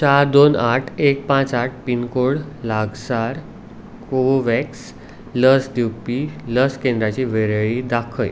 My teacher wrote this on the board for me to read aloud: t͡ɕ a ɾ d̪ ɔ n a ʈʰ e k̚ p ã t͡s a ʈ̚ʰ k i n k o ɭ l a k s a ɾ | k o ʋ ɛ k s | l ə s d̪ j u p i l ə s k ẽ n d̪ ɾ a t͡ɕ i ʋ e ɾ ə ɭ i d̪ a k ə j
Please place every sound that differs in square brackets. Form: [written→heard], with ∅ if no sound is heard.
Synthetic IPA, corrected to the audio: t͡ɕ a ɾ d̪ [ɔ→o] n a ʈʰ e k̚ p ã t͡s a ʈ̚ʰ [k→p] i n k o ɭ l a [k→ɡ] s a ɾ | k o ʋ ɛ k s | l ə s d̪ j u p i l ə s k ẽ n d̪ ɾ a t͡ɕ i ʋ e ɾ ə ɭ i d̪ a [k→kʰ] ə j

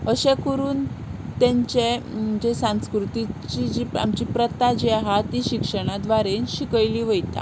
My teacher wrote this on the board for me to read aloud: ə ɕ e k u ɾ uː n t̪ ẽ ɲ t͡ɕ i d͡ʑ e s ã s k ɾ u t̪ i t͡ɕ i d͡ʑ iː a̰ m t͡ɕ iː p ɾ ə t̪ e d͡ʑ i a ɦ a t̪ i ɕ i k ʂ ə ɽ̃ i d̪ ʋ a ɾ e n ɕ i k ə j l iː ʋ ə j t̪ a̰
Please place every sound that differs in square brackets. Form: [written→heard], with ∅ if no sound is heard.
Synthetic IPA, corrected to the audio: ə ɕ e k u ɾ uː n t̪ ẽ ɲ t͡ɕ [i→e] d͡ʑ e s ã s k ɾ u t̪ i t͡ɕ i d͡ʑ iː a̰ m t͡ɕ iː p ɾ ə t̪ [e→a] d͡ʑ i a ɦ a t̪ i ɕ i k ʂ ə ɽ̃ [i→a] d̪ ʋ a ɾ e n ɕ i k ə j l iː ʋ ə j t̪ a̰

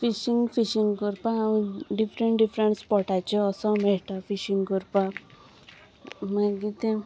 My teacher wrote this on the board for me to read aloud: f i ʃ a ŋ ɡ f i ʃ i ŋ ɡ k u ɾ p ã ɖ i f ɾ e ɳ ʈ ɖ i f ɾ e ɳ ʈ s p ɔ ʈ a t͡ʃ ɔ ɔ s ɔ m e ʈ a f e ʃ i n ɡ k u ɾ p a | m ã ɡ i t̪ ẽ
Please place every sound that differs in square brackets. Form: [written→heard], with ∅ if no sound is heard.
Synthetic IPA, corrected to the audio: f i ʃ [a→i] ŋ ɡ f i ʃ i ŋ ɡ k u ɾ p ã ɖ i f ɾ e ɳ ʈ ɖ i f ɾ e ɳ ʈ s p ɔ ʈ a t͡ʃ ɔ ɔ s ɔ m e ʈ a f [e→i] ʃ i [n→ŋ] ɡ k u ɾ p a | m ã ɡ i t̪ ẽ

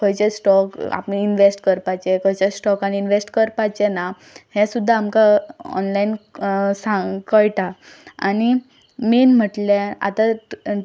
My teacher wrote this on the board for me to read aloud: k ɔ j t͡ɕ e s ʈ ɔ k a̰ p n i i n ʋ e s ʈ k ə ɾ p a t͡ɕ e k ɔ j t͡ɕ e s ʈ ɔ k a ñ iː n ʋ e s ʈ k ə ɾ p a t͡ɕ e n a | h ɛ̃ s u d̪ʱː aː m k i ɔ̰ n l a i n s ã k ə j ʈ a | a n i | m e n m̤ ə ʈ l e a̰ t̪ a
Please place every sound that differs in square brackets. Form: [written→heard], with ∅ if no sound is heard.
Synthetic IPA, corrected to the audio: k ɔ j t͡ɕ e s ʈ ɔ k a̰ p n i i n ʋ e s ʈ k ə ɾ p a t͡ɕ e k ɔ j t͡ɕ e s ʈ ɔ k a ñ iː n ʋ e s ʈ k ə ɾ p a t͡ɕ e n a | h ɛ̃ s u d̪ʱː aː m k [i→a] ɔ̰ n l a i n s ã k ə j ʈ a | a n i | m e n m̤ ə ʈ l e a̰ t̪ a

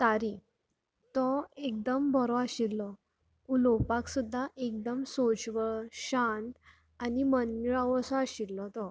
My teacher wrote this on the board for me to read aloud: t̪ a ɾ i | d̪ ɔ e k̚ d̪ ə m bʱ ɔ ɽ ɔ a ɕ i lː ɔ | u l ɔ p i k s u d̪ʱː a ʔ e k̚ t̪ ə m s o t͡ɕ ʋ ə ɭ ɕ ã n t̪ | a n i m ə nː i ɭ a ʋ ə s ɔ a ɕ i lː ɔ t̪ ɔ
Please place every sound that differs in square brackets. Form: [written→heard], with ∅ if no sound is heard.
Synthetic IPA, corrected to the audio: t̪ a ɾ i | [d̪→t̪] ɔ e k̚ d̪ ə m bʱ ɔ [ɽ→ɾ] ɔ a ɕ i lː ɔ | u l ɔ p [i→a] k s u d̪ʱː a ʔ e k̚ [t̪→d̪] ə m s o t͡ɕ ʋ ə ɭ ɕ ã n t̪ | a n i m ə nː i ɭ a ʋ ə s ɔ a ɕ i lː ɔ t̪ ɔ

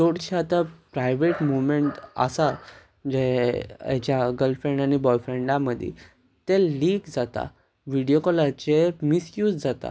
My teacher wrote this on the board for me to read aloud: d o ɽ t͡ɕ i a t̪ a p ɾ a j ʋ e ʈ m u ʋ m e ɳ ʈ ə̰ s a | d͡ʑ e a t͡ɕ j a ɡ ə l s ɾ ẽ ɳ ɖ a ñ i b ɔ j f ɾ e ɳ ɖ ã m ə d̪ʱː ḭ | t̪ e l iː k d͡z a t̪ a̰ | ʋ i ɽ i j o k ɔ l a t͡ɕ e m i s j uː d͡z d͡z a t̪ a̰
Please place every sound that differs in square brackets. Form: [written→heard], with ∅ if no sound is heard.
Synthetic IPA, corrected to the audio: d o ɽ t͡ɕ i a t̪ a p ɾ a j ʋ e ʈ m u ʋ m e ɳ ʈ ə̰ s a | d͡ʑ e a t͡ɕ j a ɡ ə l [s→f] ɾ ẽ ɳ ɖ a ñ i b ɔ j f ɾ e ɳ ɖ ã m ə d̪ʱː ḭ | t̪ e l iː k d͡z a t̪ a̰ | ʋ i ɽ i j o k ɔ l a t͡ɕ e m i s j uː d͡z d͡z a t̪ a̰

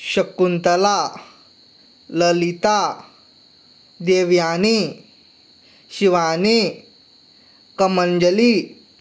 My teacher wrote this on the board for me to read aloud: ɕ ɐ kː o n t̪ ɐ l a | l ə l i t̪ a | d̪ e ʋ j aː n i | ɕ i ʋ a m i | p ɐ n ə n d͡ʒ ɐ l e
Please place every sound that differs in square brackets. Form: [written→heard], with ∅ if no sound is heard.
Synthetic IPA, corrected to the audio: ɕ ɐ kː [o→u] n t̪ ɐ l a | l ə l i t̪ a | d̪ e ʋ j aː n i | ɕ i ʋ a [m→n] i | [p→k] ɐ [n→m] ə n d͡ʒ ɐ l [e→i]

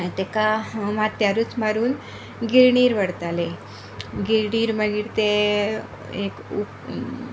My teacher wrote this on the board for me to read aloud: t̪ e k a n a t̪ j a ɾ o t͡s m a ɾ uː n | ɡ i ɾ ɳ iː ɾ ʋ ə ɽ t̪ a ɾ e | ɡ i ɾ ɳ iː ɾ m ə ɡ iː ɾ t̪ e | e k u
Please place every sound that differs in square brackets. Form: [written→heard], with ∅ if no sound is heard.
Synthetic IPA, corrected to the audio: t̪ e k a [n→m] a t̪ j a ɾ [o→u] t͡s m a ɾ uː n | ɡ i ɾ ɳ iː ɾ ʋ ə ɽ t̪ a [ɾ→l] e | ɡ i ɾ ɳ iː ɾ m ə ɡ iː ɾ t̪ e | e k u

